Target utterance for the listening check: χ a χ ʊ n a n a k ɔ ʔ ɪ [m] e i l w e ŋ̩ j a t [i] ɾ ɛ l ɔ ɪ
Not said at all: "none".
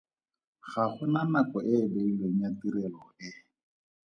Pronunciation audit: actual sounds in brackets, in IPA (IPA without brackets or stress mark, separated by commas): b, i